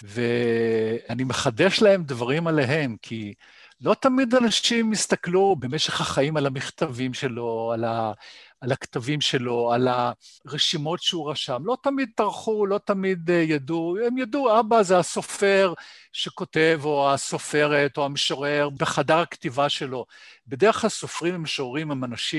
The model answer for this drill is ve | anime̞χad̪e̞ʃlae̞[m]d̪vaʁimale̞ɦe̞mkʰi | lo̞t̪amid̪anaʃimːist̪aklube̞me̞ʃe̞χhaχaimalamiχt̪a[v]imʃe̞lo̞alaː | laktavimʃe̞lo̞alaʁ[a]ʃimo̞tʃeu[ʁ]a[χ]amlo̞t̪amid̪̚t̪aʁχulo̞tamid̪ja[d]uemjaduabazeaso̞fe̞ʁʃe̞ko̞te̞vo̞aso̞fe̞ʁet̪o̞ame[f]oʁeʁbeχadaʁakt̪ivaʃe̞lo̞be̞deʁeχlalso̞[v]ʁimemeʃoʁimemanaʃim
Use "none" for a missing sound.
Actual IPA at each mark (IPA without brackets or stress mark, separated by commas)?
m, v, e, ʁ, ʃ, d, ʃ, f